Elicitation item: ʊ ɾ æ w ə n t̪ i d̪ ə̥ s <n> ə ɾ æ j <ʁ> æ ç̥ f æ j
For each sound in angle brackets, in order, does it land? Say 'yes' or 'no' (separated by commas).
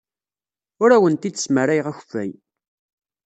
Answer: no, yes